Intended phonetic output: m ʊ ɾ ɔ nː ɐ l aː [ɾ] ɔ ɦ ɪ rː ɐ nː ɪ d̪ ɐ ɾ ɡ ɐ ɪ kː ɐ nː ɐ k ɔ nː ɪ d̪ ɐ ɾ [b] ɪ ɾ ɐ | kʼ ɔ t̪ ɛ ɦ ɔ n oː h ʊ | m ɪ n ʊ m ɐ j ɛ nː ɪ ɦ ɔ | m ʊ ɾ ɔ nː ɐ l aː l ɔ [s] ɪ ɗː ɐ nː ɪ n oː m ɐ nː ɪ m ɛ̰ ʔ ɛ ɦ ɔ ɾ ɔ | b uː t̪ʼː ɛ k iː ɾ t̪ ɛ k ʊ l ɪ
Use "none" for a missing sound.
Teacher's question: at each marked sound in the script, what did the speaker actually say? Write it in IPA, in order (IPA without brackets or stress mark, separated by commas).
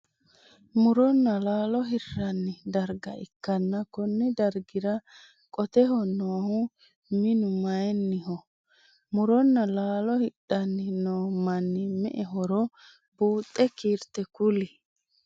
l, ɡ, h